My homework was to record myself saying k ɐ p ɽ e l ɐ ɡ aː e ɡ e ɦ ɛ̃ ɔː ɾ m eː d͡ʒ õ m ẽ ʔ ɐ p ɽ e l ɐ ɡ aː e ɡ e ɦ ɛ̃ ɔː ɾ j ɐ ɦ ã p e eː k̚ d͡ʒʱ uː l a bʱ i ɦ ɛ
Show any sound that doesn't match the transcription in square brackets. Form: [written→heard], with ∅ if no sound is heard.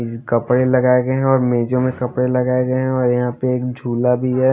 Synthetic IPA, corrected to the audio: k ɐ p ɽ e l ɐ ɡ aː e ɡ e ɦ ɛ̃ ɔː ɾ m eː d͡ʒ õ m ẽ [ʔ→k] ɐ p ɽ e l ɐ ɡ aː e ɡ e ɦ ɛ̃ ɔː ɾ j ɐ ɦ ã p e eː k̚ d͡ʒʱ uː l a bʱ i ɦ ɛ